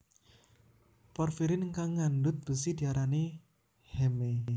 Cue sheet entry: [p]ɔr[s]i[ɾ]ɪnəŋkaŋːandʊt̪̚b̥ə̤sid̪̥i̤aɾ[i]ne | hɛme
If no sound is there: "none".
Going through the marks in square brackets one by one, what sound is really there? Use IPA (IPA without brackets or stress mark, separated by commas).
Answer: p, f, ɾ, a